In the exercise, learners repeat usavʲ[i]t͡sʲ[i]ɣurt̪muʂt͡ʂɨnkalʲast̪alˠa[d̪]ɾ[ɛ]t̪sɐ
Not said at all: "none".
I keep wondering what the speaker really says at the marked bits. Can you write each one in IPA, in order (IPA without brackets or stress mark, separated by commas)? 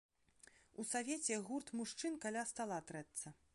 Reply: e, ɛ, t̪, ɛ